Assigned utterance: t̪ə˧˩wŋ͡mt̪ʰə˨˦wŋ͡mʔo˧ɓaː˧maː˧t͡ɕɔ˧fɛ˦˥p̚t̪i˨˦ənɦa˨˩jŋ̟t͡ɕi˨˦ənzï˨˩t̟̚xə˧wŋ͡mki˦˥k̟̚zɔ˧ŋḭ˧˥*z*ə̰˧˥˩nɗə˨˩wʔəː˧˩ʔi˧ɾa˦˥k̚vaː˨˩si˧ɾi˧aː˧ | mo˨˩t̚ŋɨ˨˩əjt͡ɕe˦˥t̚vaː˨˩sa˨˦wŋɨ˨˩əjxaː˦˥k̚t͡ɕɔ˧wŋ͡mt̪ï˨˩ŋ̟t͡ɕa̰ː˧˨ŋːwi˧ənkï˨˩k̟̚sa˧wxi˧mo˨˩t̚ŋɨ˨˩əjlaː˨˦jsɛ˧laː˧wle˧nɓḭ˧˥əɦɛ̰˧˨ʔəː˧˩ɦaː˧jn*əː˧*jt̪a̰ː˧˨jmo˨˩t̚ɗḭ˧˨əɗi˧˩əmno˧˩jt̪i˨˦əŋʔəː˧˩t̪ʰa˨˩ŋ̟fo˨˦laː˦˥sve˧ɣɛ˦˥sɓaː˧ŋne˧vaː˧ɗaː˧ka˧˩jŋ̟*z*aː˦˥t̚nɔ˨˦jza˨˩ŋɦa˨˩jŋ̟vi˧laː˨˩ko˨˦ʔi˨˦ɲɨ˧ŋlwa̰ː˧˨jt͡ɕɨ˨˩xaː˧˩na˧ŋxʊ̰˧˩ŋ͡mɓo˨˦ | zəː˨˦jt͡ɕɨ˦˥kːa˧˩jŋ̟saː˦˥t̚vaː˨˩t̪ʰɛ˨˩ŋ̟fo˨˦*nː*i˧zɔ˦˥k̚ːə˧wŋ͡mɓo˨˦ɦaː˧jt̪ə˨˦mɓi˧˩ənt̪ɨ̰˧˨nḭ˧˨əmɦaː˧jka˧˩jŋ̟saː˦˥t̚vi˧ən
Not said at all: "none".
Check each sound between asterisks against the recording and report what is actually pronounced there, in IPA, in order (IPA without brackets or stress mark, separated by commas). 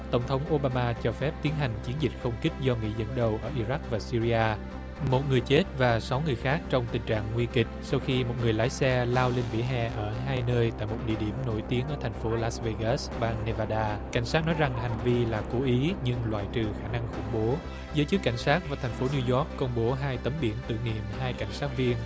z, əː˧, s, n